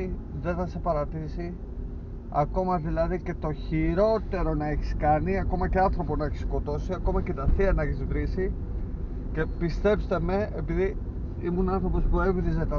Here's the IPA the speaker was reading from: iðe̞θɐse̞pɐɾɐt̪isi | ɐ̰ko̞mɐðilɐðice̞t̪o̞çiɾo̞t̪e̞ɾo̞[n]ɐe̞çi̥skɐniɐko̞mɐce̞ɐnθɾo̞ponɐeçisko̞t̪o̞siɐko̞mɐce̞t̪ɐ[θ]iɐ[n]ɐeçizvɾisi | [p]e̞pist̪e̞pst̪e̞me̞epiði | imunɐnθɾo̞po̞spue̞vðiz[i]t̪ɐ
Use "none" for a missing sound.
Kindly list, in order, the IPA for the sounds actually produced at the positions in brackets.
n, θ, n, c, e

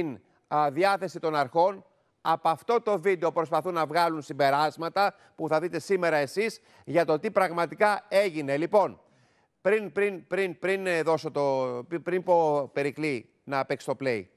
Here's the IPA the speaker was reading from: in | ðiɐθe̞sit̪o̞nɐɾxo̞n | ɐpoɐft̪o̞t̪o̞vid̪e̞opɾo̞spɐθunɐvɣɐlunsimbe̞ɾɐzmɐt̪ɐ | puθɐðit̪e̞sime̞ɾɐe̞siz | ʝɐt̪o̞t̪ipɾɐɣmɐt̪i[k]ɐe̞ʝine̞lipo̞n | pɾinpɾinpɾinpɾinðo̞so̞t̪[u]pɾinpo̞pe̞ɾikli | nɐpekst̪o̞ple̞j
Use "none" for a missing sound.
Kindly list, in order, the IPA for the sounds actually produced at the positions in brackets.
k, o

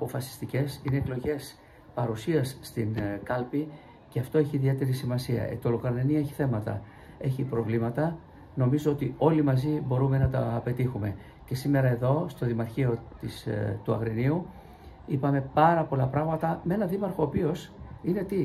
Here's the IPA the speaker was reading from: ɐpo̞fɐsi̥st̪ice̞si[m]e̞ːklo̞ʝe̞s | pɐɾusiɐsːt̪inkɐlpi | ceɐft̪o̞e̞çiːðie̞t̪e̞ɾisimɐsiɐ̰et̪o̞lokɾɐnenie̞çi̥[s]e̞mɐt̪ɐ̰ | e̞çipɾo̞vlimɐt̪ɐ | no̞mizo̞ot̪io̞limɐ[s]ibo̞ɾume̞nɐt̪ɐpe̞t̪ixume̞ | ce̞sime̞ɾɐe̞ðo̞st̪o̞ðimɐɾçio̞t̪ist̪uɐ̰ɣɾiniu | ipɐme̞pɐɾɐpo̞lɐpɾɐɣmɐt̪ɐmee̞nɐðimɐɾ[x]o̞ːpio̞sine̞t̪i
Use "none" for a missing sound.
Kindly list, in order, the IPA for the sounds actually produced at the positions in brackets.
n, θ, z, x

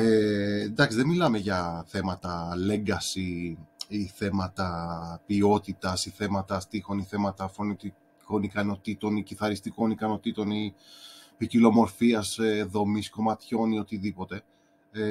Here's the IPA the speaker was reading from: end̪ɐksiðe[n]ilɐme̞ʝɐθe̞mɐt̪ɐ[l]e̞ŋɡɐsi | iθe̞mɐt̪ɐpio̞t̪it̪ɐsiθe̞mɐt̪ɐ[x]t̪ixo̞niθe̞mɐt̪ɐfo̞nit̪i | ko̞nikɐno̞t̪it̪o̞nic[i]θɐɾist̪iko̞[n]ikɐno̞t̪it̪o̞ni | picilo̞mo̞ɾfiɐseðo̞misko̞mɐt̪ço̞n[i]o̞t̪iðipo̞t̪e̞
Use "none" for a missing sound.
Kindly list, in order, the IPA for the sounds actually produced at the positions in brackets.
m, l, s, i, n, i

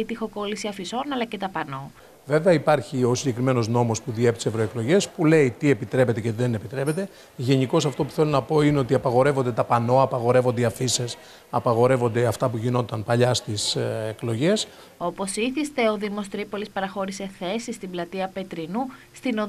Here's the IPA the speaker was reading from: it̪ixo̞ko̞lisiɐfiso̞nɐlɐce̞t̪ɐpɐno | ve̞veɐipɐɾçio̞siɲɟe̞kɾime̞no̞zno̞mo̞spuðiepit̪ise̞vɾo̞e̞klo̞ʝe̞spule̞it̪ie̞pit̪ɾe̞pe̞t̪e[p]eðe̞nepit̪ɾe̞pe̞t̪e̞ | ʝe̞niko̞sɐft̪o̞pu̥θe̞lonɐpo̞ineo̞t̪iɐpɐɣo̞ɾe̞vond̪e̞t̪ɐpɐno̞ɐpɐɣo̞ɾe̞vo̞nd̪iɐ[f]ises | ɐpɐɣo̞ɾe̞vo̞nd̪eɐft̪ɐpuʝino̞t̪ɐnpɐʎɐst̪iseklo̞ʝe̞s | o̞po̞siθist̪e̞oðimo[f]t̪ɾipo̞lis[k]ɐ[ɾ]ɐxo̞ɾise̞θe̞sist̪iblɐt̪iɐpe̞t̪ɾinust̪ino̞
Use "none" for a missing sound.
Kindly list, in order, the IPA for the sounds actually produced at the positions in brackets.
c, f, s, p, ɾ

